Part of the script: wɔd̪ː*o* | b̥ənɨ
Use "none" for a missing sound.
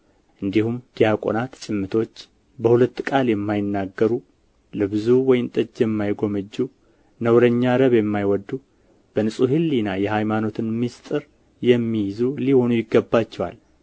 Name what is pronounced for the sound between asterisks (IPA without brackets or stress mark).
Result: u